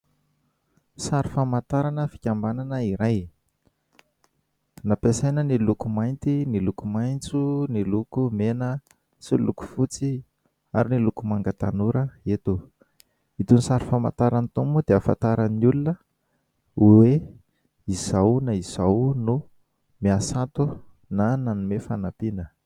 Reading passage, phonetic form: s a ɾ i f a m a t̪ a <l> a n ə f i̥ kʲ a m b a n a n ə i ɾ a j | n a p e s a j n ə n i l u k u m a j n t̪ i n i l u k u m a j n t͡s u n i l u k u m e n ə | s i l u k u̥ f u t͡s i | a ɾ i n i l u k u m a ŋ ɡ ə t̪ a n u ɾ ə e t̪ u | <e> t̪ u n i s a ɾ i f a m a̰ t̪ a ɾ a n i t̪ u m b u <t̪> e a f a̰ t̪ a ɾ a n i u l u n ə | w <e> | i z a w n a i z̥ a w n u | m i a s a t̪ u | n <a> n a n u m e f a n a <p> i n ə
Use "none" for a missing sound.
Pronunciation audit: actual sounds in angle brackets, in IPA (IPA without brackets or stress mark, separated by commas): ɾ, i, d̪, e, a, p